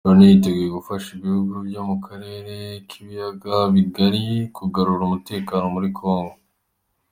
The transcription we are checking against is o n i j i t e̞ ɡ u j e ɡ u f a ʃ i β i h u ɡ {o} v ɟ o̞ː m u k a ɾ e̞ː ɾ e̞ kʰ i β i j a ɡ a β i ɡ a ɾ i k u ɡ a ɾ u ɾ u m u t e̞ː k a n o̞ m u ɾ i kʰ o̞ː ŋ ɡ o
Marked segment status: incorrect: u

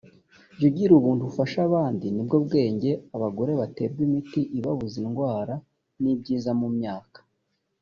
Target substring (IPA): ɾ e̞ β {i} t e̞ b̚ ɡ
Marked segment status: incorrect: a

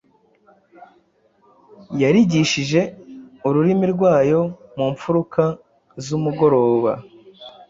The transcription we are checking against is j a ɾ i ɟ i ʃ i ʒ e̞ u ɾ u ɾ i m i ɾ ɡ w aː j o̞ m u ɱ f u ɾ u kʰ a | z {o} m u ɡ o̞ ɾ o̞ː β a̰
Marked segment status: incorrect: u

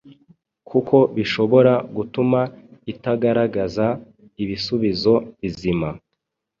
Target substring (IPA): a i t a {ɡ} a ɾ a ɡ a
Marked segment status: correct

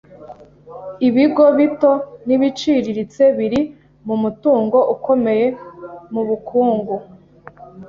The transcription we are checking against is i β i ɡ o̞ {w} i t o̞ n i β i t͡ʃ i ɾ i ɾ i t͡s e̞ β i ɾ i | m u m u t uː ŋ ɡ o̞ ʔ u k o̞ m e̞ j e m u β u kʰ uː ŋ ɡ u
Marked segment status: incorrect: β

